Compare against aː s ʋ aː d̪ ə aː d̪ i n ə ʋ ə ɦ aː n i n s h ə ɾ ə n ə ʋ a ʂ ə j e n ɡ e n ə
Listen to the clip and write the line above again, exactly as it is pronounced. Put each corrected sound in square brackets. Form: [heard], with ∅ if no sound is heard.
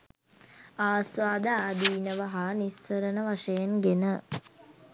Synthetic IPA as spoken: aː s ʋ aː d̪ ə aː d̪ [iː] n ə ʋ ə ɦ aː n i [∅] s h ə ɾ ə n ə ʋ a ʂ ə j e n ɡ e n ə